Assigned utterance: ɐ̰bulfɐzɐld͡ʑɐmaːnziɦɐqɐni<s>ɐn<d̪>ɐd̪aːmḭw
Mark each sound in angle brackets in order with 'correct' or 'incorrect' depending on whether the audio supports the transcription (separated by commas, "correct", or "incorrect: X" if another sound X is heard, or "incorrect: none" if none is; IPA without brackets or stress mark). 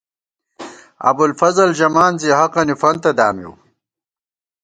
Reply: incorrect: f, incorrect: t̪